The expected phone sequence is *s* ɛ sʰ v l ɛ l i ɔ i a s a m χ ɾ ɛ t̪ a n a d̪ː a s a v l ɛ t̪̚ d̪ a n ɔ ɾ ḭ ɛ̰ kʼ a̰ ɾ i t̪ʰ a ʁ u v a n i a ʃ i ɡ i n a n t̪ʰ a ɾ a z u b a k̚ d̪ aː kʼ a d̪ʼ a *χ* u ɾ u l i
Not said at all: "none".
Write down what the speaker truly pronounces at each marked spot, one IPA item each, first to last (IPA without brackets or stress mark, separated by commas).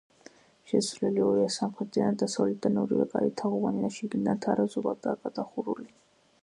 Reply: ʃ, χ